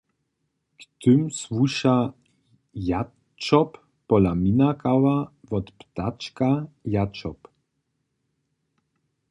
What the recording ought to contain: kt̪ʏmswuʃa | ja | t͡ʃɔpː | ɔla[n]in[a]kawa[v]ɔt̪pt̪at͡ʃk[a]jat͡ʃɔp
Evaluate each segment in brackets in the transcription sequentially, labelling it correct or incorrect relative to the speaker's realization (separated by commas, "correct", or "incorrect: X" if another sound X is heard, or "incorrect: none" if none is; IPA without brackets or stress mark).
incorrect: m, correct, correct, correct